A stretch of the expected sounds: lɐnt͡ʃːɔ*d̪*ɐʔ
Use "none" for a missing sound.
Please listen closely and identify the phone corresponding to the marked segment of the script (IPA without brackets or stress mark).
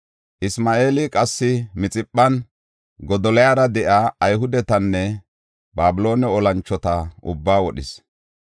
t̪